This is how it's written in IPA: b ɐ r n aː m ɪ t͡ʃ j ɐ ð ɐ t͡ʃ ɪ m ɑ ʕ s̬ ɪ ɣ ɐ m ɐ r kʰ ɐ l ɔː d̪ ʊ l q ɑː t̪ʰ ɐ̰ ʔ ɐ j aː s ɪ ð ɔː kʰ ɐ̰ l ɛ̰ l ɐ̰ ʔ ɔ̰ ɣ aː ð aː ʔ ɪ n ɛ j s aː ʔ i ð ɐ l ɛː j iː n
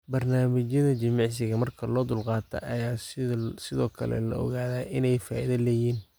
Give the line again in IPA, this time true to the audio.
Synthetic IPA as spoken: b ɐ r n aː m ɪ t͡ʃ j ɐ ð ɐ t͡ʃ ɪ m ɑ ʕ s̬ ɪ ɣ ɐ m ɐ r kʰ ɐ l ɔː d̪ ʊ l q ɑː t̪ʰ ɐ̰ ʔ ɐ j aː s ɪ ð ɔː kʰ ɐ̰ l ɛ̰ l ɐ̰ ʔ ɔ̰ ɣ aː ð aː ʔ ɪ n ɛ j f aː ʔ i ð ɐ l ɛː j iː n